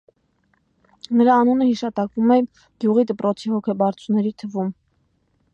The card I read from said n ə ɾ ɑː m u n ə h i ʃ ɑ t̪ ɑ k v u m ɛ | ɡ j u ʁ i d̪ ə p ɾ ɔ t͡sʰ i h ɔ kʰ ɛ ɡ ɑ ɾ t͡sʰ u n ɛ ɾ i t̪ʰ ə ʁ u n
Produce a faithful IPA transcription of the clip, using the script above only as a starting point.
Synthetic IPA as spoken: n ə ɾ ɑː n u n ə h i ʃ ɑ t̪ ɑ k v u m ɛ | ɡ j u ʁ i d̪ ə p ɾ ɔ t͡sʰ i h ɔ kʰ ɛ b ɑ ɾ t͡sʰ u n ɛ ɾ i t̪ʰ ə v u m